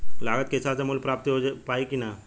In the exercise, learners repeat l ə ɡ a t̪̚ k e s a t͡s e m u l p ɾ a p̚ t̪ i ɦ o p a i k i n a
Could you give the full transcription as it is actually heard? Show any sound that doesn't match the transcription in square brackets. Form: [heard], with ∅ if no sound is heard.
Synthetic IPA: l [a] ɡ [ə] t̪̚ k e s a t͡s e m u l p ɾ a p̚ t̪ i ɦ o p a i k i n a